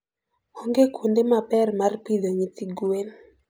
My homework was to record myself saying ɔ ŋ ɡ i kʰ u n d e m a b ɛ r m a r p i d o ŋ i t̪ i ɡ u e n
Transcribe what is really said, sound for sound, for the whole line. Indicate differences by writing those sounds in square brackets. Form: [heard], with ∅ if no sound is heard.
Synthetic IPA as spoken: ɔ ŋ ɡ [e] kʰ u n d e m a [p] ɛ r m a r p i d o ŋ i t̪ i ɡ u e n